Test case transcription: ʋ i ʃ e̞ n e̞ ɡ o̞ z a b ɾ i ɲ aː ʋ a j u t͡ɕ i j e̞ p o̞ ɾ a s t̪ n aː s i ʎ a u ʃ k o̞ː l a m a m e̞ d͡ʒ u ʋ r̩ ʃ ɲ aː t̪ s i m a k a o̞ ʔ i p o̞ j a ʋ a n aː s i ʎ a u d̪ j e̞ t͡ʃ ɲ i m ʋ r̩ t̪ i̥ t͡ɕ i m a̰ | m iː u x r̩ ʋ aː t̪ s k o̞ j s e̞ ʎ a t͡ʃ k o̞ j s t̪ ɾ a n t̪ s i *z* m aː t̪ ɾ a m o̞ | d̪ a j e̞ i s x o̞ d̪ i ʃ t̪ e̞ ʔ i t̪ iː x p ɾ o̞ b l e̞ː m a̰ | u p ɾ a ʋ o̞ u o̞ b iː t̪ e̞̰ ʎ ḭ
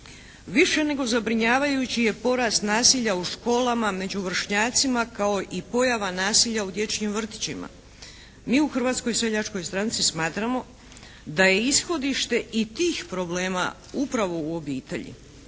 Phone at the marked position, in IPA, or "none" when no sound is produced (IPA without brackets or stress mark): s